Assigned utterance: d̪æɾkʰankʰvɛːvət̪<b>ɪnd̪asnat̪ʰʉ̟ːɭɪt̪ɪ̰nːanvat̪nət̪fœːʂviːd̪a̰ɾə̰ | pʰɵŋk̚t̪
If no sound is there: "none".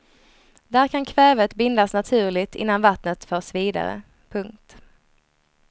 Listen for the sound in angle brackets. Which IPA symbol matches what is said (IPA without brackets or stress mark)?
b